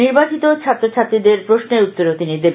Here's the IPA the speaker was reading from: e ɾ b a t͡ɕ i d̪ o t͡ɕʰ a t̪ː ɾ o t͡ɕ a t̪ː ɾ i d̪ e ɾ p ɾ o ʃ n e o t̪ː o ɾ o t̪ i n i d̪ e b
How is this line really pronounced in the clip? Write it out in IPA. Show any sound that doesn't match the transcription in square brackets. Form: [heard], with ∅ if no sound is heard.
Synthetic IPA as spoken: [i] ɾ b a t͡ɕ i [t̪] o t͡ɕʰ a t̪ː ɾ o [t͡ɕʰ] a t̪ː ɾ i d̪ e ɾ p ɾ o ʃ n e [u] t̪ː o ɾ o t̪ i n i d̪ e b